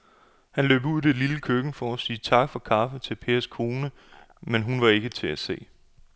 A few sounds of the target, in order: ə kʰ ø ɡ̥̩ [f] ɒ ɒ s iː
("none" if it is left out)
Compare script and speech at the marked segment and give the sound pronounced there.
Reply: f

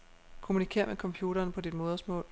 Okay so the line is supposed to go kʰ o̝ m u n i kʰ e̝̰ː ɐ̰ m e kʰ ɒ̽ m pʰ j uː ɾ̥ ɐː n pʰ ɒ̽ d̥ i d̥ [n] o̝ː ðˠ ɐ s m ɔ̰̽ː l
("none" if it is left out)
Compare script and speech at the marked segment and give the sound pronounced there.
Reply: m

